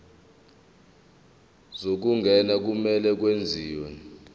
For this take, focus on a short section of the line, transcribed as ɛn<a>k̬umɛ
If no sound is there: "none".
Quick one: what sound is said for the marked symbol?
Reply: a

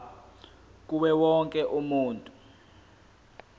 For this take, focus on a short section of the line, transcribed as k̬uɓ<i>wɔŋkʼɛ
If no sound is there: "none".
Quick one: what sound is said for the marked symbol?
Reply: ɛ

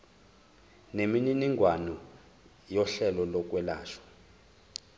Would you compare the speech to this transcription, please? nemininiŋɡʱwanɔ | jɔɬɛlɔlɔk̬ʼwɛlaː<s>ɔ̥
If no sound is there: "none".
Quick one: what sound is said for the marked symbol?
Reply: ʃ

